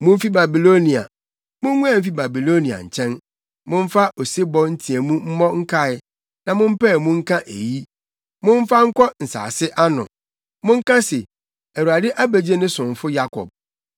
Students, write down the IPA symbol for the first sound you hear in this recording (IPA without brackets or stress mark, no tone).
m